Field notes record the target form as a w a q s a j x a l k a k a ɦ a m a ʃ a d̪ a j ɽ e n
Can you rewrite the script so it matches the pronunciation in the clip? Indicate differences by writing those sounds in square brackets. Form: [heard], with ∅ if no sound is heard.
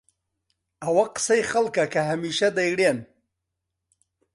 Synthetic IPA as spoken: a w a q s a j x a l k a k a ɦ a m [i] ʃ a d̪ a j ɽ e n